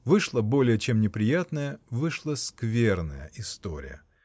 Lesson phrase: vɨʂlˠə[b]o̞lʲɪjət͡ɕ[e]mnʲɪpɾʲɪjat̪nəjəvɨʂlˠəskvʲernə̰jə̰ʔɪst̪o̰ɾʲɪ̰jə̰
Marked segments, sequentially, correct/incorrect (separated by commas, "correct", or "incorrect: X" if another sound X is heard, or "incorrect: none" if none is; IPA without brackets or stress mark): correct, correct